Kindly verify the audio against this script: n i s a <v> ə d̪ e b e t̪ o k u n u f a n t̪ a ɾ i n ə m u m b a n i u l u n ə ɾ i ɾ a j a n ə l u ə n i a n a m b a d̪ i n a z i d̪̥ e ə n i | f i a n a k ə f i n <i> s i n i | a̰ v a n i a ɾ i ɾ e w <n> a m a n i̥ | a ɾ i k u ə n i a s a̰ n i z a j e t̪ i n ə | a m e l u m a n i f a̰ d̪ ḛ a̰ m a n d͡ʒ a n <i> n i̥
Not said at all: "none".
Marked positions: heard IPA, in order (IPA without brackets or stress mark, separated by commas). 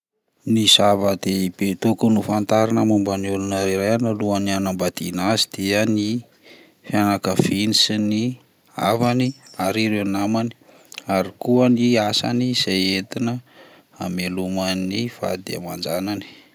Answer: v, i, n, a